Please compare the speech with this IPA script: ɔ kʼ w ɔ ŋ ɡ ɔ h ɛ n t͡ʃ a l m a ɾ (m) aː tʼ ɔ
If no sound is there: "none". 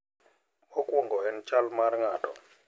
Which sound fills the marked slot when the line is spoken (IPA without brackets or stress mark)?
ŋ